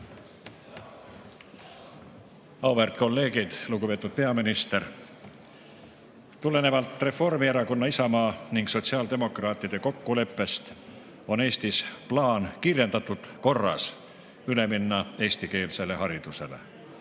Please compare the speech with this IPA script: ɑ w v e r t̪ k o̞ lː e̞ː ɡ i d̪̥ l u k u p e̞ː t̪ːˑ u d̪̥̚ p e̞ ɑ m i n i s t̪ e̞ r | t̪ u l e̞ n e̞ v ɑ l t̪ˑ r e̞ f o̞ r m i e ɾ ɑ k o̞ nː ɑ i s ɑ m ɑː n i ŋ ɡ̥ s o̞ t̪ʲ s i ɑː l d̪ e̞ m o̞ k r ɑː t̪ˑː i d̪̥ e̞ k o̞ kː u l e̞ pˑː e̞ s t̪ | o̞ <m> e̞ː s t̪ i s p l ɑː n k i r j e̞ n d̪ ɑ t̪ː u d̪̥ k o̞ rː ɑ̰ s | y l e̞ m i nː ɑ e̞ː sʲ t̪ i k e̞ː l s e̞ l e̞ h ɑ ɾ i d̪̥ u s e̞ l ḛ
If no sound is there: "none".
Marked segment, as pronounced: n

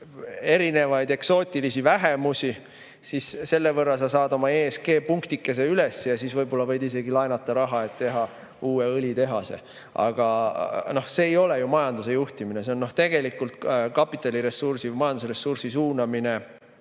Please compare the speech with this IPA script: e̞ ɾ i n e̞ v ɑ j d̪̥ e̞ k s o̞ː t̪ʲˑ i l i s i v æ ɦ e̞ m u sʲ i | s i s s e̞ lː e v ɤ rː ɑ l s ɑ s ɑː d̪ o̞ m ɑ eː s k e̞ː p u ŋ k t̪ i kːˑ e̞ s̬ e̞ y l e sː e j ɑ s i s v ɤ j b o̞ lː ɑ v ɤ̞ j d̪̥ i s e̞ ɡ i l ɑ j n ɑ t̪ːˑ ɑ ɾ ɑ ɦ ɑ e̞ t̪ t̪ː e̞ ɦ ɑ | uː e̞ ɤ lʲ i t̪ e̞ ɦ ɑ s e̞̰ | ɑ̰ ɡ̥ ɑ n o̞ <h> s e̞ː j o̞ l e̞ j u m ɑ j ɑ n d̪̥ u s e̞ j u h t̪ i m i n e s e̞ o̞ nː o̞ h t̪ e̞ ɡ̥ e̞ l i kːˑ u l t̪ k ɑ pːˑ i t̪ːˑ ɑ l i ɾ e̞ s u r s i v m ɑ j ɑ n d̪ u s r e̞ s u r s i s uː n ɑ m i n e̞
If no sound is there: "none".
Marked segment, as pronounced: h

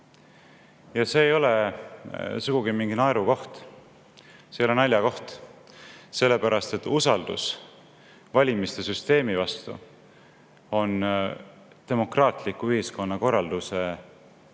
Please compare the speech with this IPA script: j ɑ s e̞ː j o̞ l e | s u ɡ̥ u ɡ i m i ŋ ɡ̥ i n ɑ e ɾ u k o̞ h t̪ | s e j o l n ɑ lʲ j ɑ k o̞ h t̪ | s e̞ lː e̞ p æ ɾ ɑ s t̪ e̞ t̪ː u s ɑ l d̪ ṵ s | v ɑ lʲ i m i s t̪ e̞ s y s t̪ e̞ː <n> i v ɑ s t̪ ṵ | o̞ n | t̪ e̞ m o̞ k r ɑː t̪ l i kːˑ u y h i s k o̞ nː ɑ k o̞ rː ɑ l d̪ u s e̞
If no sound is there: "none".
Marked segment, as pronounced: m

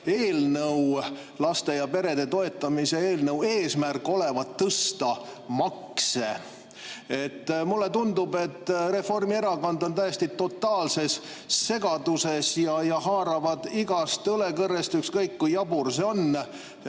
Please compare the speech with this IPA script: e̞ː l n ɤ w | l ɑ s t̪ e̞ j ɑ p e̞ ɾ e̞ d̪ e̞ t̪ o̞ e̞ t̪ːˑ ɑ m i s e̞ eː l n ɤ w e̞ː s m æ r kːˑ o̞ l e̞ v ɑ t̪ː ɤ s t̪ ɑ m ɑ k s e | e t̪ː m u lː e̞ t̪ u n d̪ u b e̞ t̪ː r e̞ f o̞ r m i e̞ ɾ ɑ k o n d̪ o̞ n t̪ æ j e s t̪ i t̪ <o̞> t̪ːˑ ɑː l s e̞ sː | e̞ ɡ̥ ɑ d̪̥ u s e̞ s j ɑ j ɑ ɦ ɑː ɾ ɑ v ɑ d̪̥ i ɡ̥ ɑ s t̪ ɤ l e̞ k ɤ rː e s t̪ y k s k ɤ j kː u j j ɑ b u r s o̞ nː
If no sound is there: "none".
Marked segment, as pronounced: o̞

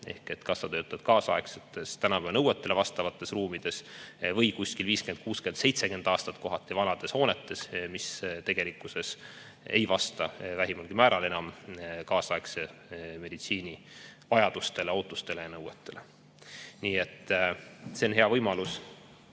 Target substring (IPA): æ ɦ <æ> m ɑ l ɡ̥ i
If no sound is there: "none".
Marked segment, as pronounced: i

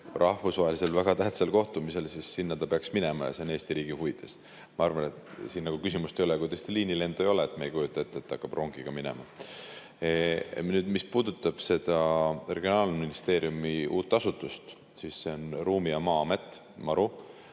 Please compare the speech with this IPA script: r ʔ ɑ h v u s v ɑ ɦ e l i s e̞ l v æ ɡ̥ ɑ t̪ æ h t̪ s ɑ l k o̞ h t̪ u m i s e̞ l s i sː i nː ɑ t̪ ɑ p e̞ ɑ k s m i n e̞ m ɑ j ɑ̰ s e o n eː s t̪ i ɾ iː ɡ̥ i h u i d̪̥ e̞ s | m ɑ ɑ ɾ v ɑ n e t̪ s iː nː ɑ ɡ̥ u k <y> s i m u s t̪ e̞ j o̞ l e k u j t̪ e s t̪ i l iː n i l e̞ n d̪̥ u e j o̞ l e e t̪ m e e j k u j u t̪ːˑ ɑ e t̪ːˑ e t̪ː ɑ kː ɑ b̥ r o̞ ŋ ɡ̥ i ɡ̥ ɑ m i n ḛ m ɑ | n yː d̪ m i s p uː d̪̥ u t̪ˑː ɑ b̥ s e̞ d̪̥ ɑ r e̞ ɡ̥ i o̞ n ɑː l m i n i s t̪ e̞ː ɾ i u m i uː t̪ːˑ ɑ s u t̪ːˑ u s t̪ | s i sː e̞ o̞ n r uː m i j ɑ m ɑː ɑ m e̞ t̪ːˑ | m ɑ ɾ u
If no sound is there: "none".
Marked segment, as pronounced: y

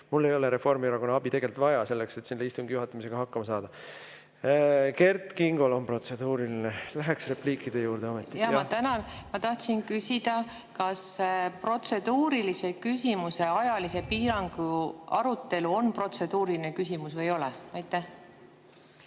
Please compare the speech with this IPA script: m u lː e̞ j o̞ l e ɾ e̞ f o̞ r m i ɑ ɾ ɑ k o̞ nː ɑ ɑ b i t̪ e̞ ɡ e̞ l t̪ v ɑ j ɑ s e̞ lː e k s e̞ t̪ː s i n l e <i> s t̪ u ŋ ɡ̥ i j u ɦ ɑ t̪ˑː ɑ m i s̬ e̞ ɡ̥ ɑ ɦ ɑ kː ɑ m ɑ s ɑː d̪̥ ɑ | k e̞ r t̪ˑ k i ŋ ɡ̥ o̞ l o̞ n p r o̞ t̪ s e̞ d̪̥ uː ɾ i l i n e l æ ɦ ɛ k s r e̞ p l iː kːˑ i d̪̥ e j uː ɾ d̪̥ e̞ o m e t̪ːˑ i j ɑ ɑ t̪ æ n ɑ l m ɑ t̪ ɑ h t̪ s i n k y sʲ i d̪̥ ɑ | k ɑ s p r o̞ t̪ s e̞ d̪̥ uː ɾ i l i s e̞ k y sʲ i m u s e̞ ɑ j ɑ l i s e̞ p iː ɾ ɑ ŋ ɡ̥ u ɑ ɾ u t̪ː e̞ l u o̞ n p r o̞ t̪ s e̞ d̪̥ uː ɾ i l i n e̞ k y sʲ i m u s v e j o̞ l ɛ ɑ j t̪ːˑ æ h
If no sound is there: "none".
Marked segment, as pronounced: i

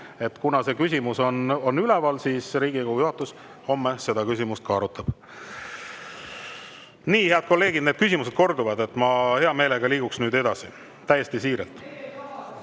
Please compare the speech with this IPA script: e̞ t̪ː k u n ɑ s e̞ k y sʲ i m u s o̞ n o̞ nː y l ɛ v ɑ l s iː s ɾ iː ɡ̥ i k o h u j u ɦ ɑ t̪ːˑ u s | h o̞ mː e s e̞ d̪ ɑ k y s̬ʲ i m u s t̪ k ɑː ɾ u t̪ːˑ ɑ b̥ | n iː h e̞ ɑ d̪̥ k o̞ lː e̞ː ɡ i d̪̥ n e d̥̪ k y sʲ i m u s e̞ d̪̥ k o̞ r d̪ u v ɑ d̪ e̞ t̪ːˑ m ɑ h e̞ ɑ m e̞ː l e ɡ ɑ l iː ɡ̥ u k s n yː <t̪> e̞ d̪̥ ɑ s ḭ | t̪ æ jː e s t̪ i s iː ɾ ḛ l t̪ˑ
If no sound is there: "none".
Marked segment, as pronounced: d̪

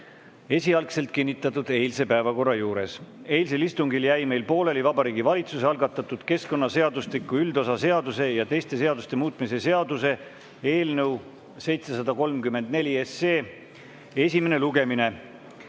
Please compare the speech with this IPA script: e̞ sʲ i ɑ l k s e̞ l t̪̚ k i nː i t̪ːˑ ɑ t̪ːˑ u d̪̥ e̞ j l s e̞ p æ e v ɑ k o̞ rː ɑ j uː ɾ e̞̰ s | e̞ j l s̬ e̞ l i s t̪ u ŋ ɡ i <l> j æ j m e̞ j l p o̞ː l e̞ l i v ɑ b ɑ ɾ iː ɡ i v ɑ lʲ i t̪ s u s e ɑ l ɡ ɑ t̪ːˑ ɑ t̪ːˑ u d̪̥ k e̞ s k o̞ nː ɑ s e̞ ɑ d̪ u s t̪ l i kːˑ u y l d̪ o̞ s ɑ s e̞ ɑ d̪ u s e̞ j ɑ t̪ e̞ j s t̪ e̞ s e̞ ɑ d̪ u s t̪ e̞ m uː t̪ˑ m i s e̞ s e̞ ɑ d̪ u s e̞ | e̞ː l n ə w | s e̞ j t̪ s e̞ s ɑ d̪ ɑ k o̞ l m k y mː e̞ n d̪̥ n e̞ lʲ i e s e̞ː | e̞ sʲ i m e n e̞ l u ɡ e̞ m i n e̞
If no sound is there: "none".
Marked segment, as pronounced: l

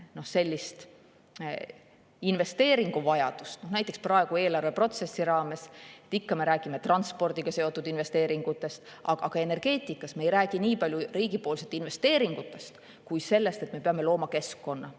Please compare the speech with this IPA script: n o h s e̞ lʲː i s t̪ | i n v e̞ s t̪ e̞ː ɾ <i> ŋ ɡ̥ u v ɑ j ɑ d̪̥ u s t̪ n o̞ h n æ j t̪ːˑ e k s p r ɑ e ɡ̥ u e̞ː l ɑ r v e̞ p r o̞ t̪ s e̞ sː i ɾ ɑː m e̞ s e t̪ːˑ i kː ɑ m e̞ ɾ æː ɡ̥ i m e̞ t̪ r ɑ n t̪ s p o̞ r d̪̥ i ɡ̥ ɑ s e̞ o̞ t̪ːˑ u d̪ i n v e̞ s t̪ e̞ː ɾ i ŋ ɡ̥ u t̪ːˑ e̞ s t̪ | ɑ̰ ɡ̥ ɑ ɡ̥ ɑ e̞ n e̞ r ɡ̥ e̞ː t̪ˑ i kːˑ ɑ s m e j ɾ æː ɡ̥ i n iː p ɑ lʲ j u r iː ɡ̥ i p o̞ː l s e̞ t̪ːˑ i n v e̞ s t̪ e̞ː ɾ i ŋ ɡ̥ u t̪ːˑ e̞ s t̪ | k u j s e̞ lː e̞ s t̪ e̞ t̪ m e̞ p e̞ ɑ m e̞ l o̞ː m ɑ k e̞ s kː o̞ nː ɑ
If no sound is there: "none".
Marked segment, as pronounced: i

